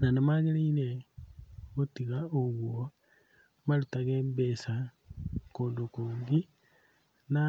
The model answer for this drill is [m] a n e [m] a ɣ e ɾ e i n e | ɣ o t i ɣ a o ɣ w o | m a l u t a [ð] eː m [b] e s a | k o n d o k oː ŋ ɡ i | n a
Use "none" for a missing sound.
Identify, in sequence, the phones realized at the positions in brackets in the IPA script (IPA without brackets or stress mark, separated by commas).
n, m, ɣ, b